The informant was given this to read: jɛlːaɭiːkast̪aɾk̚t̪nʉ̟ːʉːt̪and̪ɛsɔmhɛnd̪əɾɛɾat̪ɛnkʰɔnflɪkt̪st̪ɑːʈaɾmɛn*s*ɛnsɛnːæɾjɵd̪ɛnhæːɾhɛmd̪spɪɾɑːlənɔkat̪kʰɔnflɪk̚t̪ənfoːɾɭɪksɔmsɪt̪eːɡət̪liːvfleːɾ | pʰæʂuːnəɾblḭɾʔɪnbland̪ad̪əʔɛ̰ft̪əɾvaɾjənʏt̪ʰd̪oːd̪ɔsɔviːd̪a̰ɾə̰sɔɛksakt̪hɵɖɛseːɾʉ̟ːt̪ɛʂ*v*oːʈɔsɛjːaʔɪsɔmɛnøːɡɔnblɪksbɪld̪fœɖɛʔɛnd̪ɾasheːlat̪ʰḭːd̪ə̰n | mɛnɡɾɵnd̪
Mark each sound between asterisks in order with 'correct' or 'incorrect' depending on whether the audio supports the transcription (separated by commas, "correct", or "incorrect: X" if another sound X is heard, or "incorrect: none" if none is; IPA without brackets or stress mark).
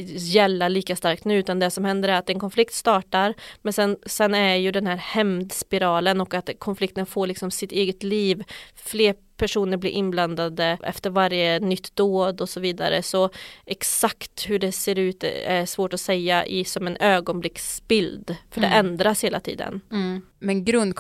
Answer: correct, correct